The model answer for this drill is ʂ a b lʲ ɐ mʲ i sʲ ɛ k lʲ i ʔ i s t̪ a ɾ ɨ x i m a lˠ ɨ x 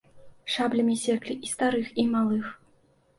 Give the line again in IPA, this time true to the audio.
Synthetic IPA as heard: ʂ a b lʲ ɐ mʲ i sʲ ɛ k lʲ i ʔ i s t̪ a ɾ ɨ x i m a lˠ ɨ x